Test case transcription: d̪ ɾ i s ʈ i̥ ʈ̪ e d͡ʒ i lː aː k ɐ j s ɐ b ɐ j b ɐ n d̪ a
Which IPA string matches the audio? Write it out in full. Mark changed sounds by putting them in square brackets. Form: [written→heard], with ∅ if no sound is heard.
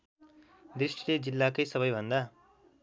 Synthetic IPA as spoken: d̪ ɾ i [s→ʂ] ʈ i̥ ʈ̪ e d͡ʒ i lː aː k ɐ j s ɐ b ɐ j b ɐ n d̪ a

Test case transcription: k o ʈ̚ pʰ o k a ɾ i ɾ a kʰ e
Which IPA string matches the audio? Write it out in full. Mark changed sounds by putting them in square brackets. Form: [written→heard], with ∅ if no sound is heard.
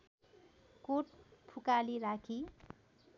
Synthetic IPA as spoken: k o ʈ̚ pʰ [o→u] k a [ɾ→l] i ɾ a kʰ [e→i]

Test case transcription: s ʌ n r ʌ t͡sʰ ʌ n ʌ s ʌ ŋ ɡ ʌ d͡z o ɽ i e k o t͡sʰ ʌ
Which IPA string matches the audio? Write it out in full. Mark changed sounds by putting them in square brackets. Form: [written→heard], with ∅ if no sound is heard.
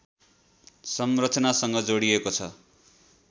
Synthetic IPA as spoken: s ʌ [n→m] r ʌ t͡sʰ ʌ n [ʌ→a] s ʌ ŋ ɡ ʌ d͡z o ɽ i e k o t͡sʰ ʌ

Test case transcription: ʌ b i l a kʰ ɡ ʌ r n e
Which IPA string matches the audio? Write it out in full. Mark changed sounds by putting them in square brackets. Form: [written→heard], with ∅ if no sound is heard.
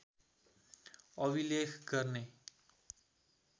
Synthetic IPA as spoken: ʌ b i l [a→e] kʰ ɡ ʌ r n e

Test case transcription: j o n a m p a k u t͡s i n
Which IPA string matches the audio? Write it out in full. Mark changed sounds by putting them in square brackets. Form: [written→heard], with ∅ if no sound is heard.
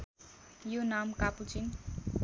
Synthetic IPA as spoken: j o n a m [p→k] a [k→p] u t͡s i n

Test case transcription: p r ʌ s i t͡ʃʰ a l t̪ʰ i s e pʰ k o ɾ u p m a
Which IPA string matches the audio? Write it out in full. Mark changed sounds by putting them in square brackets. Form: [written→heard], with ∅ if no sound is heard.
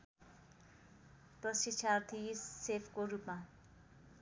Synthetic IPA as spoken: p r ʌ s i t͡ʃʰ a [l→r] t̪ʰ i s e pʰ k o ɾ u p m a

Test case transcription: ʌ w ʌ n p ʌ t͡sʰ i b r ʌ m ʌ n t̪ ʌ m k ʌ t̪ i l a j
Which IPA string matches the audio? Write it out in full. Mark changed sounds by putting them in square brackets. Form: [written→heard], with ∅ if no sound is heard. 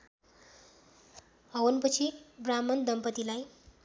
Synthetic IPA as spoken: ʌ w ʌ n p ʌ t͡sʰ i b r [ʌ→a] m ʌ n [t̪→d̪] ʌ m [k→p] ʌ t̪ i l a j

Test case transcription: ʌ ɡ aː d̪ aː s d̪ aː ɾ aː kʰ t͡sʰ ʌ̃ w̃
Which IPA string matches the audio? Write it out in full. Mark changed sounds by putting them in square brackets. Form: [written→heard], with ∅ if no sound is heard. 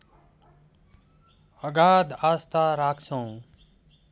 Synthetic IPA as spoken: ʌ ɡ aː d̪ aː s [d̪→t̪] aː ɾ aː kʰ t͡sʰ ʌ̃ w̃

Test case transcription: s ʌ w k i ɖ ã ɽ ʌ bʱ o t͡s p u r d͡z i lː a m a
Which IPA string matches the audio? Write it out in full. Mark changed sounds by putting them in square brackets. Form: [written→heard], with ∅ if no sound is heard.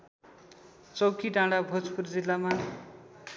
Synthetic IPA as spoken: [s→t͡s] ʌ w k i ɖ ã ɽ [ʌ→a] bʱ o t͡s p u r d͡z i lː a m a

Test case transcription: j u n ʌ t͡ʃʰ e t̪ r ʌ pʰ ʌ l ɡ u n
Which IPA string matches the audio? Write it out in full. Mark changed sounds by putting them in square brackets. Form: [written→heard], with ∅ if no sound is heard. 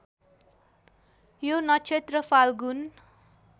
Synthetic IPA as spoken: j [u→o] n ʌ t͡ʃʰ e t̪ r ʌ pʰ [ʌ→a] l ɡ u n

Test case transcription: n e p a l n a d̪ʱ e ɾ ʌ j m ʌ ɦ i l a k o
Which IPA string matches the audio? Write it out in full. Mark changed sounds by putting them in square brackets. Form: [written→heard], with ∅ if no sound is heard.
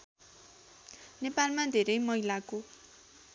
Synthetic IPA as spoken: n e p a l [n→m] a d̪ʱ e ɾ ʌ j m ʌ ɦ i l a k o

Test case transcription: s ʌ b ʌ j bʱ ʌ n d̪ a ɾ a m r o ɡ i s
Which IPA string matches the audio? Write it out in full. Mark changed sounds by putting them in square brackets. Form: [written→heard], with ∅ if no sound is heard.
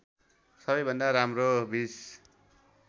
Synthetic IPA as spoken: s ʌ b ʌ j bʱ ʌ n d̪ a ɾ a m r o [ɡ→b] i s

